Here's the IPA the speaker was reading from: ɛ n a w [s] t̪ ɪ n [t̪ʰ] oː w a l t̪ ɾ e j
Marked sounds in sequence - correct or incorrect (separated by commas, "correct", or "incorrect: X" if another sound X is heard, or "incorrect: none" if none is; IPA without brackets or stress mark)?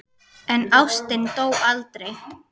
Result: correct, incorrect: t̪